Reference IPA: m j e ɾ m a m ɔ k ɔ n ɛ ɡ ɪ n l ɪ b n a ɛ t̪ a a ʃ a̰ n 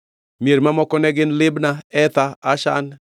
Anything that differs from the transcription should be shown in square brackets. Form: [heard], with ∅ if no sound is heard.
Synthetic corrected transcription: m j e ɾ m a m ɔ k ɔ n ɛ ɡ ɪ n l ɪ b n a ɛ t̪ a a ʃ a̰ n